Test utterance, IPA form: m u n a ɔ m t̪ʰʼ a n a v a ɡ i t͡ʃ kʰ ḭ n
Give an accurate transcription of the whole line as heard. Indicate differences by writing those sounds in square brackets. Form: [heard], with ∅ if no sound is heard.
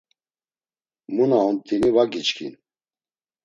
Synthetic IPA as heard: m u n a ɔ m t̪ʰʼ [i] n [i] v a ɡ i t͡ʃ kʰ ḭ n

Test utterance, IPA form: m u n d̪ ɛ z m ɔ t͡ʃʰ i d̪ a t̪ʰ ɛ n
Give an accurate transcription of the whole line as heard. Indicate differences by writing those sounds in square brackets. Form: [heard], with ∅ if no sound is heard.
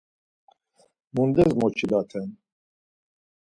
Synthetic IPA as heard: m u n d̪ ɛ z m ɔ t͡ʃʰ i d̪ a t̪ʰ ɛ n

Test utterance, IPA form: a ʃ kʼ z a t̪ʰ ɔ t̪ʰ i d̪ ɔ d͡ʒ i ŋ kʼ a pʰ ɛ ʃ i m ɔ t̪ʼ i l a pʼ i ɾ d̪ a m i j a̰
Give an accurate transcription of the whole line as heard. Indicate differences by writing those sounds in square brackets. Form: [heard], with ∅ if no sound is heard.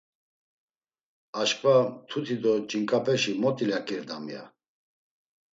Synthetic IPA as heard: a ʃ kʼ [v] a t̪ʰ [u] t̪ʰ i d̪ ɔ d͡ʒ i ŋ kʼ a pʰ ɛ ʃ i m ɔ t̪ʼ i l a [kʼ] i ɾ d̪ a m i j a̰

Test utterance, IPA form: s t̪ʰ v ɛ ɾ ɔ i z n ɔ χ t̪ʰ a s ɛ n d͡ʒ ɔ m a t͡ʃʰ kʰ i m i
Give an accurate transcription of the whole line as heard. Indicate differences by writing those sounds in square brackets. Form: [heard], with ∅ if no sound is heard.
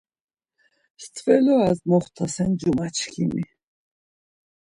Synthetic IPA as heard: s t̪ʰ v ɛ [l] ɔ [a] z [m] ɔ χ t̪ʰ a s ɛ n d͡ʒ [u] m a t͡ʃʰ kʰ i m i

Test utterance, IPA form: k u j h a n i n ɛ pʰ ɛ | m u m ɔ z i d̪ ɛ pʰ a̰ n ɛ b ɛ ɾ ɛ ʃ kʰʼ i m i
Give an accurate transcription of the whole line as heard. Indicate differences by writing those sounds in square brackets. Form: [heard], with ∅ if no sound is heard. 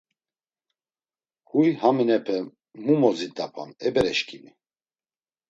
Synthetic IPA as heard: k u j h a [m] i n ɛ pʰ ɛ | m u m ɔ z i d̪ [a] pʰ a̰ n ɛ b ɛ ɾ ɛ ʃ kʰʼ i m i

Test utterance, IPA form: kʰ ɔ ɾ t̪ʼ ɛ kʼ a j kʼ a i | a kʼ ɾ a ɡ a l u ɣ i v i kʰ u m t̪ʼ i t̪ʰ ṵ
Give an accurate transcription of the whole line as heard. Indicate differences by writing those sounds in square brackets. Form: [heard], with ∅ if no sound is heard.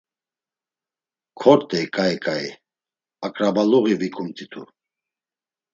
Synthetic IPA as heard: kʰ ɔ ɾ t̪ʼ ɛ kʼ a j kʼ a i | a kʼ ɾ a [b] a l u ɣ i v i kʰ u m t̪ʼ i t̪ʰ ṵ

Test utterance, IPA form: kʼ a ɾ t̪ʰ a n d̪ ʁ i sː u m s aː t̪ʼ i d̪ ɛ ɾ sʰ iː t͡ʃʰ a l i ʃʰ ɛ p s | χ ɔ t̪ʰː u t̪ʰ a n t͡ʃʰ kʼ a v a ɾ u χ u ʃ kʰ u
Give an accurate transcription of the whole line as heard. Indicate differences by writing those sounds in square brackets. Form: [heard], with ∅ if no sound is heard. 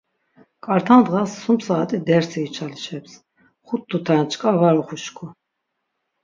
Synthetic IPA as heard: kʼ a ɾ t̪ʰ a n d̪ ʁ [a] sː u m s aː t̪ʼ i d̪ ɛ ɾ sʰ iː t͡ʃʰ a l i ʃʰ ɛ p s | χ [u] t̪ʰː u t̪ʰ a n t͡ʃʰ kʼ a v a ɾ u χ u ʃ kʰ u

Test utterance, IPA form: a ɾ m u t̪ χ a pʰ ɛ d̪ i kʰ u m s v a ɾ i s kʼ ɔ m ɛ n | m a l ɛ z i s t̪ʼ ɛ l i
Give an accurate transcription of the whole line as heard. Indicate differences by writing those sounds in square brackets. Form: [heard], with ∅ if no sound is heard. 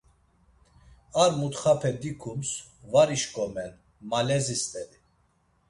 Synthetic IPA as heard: a ɾ m u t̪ χ a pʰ ɛ d̪ i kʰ u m s v a ɾ i [ʃ] kʼ ɔ m ɛ n | m a l ɛ z i s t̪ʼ ɛ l i

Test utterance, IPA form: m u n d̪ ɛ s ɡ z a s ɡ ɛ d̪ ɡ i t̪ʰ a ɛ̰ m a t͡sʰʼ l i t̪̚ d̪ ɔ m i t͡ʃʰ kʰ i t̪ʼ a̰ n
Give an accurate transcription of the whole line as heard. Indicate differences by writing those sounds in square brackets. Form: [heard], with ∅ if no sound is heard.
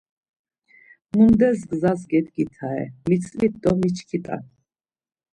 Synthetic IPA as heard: m u n d̪ ɛ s ɡ z a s ɡ ɛ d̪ ɡ i t̪ʰ a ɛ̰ m [i] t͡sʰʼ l i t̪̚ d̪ ɔ m i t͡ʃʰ kʰ i t̪ʼ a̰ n

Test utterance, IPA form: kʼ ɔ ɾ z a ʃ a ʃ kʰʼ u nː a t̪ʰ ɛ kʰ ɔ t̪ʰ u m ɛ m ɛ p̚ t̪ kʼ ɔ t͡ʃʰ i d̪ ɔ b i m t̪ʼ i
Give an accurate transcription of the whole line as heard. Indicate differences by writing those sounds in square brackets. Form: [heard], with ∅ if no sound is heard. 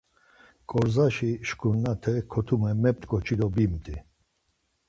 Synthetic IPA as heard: kʼ ɔ ɾ z a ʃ [i] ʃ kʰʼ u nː a t̪ʰ ɛ kʰ ɔ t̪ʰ u m ɛ m ɛ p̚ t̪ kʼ ɔ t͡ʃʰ i d̪ ɔ b i m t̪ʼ i

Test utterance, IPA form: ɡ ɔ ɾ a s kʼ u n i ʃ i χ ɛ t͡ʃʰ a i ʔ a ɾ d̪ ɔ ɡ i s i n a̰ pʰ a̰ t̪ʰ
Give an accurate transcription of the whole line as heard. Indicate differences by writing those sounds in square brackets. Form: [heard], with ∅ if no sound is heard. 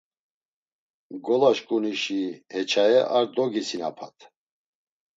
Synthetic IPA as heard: ɡ ɔ [l] a [ʃ] kʼ u n i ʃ i [h] ɛ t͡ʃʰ a [ɛ] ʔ a ɾ d̪ ɔ ɡ i s i n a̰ pʰ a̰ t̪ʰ

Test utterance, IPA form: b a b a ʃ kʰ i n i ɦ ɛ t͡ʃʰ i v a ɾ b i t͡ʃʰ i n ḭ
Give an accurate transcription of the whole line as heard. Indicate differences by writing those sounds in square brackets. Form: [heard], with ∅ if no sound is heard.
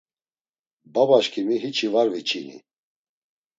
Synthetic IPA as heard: b a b a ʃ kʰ i [m] i ɦ [i] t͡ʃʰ i v a ɾ [v] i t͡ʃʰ i n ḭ

